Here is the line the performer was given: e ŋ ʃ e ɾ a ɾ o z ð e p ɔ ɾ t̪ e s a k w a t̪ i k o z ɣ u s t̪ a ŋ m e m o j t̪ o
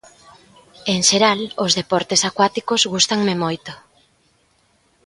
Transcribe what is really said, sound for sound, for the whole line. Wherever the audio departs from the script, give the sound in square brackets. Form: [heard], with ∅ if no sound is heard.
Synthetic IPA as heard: e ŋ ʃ e ɾ a [l] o z ð e p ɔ ɾ t̪ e s a k w a t̪ i k o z ɣ u s t̪ a ŋ m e m o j t̪ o